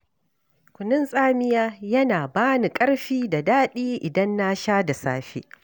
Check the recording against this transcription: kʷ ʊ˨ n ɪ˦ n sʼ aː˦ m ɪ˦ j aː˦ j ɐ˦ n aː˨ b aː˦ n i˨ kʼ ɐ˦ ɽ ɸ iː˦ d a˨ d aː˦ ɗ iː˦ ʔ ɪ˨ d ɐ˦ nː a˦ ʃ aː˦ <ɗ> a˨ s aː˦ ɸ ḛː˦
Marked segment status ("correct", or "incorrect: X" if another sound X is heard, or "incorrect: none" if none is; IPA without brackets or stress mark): incorrect: d